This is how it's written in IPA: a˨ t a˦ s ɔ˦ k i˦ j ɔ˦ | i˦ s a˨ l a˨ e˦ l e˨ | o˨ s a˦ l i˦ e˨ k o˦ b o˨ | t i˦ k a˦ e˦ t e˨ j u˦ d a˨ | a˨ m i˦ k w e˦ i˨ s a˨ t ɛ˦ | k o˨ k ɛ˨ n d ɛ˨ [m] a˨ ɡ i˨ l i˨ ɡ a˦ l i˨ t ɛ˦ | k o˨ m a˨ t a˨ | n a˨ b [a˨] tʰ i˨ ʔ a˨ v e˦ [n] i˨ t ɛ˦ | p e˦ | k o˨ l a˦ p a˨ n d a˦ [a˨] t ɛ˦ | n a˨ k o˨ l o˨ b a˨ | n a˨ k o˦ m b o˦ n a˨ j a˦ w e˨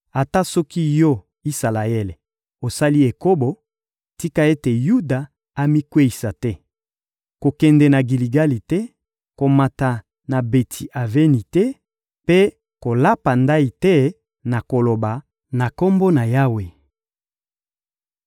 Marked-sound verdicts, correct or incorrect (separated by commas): incorrect, incorrect, correct, incorrect